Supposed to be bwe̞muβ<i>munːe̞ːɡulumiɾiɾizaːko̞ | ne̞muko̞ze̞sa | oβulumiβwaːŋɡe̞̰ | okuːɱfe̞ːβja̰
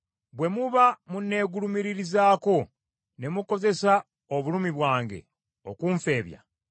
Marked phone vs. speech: incorrect: a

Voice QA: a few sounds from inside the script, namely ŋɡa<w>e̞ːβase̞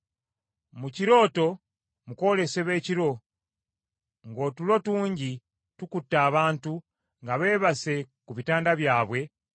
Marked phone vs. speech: incorrect: β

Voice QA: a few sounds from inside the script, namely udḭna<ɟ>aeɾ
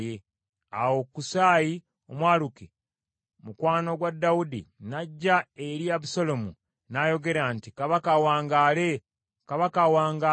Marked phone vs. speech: incorrect: ɟː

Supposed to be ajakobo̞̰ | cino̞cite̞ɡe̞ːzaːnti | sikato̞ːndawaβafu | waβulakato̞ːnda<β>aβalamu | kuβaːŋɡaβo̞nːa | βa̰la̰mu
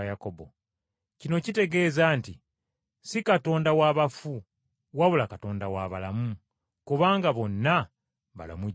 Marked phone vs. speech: incorrect: w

